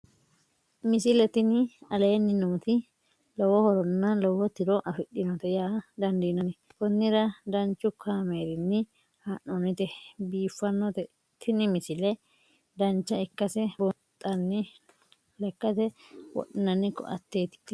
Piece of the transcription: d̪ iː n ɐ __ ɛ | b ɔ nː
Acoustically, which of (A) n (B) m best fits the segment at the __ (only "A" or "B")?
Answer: A